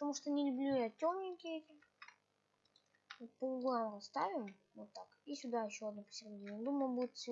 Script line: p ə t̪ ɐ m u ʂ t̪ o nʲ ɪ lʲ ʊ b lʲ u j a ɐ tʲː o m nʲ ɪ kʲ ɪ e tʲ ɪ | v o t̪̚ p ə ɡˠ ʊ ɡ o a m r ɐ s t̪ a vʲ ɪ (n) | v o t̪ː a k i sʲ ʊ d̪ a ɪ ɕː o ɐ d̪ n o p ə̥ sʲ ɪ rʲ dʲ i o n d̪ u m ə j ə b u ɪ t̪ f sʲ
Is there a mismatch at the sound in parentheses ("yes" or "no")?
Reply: yes